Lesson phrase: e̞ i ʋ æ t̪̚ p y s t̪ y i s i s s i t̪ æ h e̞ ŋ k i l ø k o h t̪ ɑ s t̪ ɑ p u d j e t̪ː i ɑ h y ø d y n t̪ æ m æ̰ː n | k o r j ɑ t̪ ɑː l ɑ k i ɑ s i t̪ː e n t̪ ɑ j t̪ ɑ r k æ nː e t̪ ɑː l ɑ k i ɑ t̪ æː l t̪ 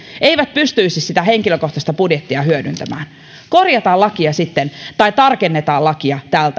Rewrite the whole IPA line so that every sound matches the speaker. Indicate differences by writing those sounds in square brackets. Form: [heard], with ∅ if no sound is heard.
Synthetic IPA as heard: e̞ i ʋ æ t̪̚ p y s t̪ y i s i s s i t̪ æ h e̞ ŋ k i l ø k o h t̪ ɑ s t̪ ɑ p u d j e t̪ː i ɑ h y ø d y n t̪ æ m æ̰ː n | k o r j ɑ t̪ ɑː l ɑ k i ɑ s i t̪ː e n t̪ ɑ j t̪ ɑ r k [e] nː e t̪ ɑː l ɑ k i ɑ t̪ æː l t̪